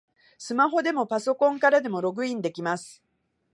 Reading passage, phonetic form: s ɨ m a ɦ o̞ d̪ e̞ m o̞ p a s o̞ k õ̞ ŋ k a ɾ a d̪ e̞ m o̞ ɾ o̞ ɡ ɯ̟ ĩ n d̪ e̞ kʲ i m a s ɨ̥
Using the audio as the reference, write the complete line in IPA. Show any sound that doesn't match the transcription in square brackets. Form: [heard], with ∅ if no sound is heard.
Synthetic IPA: s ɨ m a ɦ o̞ d̪ e̞ m o̞ p a s o̞ k õ̞ ŋ k a ɾ a d̪ e̞ m o̞ ɾ o̞ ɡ ɯ̟ ĩ n d̪ e̞ kʲ i m a s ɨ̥